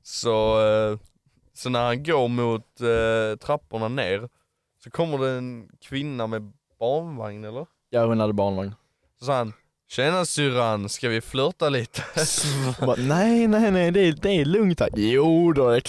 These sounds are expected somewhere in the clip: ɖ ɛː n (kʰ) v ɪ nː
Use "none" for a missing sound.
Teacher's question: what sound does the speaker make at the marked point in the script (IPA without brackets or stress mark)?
kʰ